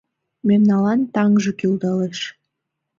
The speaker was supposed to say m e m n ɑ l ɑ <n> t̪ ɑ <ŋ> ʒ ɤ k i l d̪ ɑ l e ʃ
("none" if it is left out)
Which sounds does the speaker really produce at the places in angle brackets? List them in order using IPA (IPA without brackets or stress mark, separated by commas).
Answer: n, ŋ